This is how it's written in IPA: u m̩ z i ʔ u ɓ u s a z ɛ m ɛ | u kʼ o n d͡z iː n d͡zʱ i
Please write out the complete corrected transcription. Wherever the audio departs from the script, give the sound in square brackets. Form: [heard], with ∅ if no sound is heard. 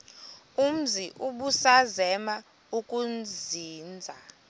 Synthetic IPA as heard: u m̩ z i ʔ u ɓ u s a z ɛ m [a] | u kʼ [u] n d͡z iː n d͡zʱ [a]

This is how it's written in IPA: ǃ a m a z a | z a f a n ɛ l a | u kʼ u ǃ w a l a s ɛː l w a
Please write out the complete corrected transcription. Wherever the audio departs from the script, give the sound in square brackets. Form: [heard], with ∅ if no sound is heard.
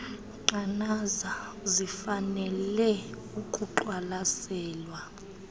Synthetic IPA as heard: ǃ a [n] a z a | z [i] f a n ɛ l [ɛ] | u kʼ u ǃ w a l a s ɛː l w a

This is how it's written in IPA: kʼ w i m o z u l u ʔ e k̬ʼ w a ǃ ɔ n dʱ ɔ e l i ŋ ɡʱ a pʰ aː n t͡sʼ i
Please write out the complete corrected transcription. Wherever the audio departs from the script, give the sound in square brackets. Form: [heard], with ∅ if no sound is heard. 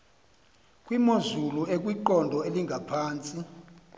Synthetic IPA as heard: kʼ w i m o z u l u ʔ e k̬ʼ w [i] ǃ ɔ n dʱ ɔ e l i ŋ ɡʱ a pʰ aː n t͡sʼ i

